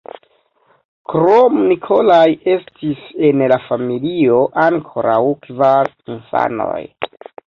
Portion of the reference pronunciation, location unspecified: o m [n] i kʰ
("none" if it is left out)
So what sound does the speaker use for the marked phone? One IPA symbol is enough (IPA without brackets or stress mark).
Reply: n